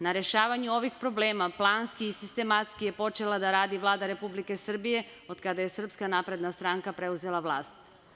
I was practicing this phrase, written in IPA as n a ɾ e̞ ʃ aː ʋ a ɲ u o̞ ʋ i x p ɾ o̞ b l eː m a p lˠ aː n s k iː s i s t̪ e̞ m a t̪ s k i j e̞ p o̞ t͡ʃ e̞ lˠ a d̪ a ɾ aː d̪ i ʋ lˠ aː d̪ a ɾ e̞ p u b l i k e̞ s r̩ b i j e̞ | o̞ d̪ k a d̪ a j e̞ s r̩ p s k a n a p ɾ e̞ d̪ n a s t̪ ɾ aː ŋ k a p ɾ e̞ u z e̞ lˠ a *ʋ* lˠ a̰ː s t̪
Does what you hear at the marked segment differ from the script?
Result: no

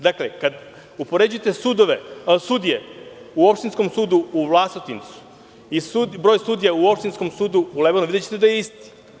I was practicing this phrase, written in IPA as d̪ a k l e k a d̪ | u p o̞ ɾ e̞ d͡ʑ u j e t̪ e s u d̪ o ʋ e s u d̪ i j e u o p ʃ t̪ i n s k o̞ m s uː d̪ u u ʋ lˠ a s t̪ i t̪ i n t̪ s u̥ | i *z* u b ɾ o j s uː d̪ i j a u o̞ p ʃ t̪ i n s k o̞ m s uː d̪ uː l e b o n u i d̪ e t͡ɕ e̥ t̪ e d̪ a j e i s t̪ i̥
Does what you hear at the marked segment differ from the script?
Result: yes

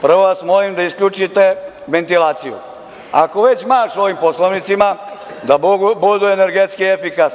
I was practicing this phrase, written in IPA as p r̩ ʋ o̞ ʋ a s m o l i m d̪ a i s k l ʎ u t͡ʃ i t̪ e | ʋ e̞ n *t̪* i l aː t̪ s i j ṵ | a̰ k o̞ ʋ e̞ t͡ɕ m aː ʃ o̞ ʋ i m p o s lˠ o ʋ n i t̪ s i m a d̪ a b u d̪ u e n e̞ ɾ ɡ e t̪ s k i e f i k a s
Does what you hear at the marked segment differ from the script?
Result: no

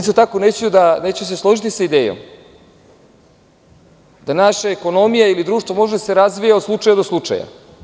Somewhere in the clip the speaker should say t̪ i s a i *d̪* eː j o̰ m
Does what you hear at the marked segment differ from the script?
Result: no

